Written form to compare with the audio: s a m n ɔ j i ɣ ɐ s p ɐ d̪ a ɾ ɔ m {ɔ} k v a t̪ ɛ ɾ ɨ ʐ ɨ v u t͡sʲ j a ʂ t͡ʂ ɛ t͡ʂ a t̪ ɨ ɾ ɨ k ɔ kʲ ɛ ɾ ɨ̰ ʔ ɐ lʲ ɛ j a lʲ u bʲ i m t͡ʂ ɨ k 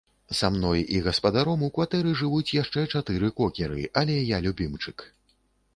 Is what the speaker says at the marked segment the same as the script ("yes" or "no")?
no